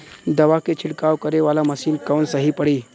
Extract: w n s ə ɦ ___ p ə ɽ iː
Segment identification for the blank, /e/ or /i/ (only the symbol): i